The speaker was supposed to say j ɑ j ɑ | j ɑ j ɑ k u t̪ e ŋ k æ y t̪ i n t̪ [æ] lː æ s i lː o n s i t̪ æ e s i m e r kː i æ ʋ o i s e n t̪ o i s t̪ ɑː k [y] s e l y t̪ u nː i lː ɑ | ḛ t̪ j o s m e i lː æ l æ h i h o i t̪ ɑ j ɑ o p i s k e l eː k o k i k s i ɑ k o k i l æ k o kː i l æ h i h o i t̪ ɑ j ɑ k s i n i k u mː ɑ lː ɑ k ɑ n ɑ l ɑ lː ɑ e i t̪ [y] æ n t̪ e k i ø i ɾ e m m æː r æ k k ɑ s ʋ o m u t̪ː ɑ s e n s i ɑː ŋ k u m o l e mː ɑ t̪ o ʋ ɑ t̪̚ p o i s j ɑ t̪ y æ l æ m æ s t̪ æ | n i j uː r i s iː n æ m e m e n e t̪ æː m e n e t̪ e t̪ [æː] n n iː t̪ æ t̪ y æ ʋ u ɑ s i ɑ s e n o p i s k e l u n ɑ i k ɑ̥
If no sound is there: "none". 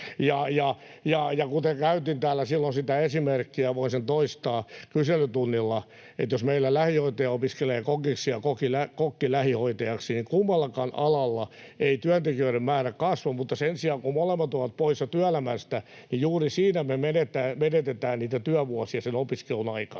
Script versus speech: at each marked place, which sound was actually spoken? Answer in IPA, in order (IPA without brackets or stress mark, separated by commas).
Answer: æː, y, y, æː